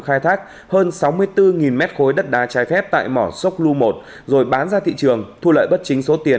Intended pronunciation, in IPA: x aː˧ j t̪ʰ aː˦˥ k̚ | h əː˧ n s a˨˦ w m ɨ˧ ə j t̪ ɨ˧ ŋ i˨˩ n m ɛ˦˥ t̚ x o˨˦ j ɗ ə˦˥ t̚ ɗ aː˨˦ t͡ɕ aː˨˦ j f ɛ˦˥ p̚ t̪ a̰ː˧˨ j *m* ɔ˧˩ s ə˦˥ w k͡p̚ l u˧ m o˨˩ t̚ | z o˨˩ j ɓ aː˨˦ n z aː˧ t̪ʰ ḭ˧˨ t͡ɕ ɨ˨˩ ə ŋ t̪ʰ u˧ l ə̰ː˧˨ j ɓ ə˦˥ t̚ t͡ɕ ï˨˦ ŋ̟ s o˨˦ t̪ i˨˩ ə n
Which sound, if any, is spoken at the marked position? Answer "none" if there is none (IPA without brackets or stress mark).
m